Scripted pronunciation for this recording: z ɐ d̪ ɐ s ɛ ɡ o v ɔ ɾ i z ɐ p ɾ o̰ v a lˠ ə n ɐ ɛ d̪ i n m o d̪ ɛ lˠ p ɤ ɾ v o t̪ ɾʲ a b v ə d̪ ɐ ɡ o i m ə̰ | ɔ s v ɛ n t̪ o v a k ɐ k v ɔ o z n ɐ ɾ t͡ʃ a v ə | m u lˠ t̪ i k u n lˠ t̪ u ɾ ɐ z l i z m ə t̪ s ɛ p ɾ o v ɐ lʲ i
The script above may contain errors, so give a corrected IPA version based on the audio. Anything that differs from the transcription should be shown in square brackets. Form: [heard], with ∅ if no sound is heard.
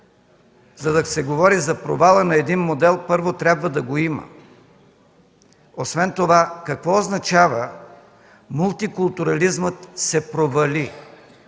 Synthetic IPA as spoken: z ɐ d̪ ɐ s ɛ ɡ o v ɔ ɾ i z ɐ p ɾ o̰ v a lˠ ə n ɐ ɛ d̪ i n m o d̪ ɛ lˠ p ɤ ɾ v o t̪ ɾʲ a b v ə d̪ ɐ ɡ o i m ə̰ | [o] s v ɛ n t̪ o v a k ɐ k v ɔ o z n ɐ [∅] t͡ʃ a v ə | m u lˠ t̪ i k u [∅] lˠ t̪ u ɾ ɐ [∅] l i z m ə t̪ s ɛ p ɾ o v ɐ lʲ i